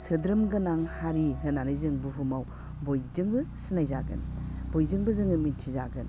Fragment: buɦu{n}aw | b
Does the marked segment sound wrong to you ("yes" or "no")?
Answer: yes